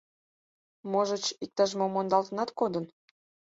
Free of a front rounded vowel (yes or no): yes